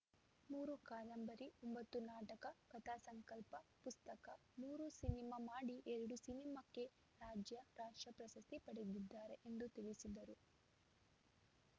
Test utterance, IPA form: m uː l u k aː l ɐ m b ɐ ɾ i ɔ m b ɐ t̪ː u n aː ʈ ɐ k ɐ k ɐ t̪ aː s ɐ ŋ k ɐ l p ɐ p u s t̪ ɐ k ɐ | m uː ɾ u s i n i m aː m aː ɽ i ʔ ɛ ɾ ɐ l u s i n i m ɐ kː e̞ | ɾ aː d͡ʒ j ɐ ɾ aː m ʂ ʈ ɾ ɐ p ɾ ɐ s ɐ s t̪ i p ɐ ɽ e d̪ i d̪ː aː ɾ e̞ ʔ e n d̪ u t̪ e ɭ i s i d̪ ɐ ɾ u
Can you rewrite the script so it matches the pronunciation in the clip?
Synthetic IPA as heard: m uː ɾ u k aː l ɐ m b ɐ ɾ i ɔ m b ɐ t̪ː u n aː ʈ ɐ k ɐ k ɐ t̪ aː s ɐ ŋ k ɐ l p ɐ p u s t̪ ɐ k ɐ | m uː ɾ u s i n i m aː m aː ɽ i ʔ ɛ ɾ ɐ ɽ u s i n i m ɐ kː e̞ | ɾ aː d͡ʒ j ɐ ɾ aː ʂ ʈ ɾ ɐ p ɾ ɐ s ɐ s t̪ i p ɐ ɽ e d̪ i d̪ː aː ɾ e̞ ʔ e n d̪ u t̪ i ɭ i s i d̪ ɐ ɾ u